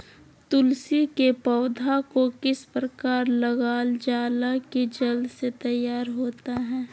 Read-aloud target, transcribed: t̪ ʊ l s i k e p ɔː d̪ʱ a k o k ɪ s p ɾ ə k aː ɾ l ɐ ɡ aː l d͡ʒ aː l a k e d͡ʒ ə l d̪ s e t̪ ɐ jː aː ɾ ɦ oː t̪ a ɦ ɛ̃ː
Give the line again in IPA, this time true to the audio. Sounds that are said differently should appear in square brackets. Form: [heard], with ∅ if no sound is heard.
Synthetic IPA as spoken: t̪ ʊ l s i k e p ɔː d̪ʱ a k o k ɪ s p ɾ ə k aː ɾ l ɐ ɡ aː l d͡ʒ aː l a k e d͡ʒ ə l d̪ s e t̪ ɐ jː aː ɾ ɦ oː t̪ a ɦ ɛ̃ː